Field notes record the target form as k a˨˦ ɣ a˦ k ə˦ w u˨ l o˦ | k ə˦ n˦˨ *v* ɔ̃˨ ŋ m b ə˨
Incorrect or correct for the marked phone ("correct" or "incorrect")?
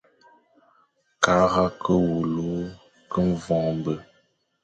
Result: correct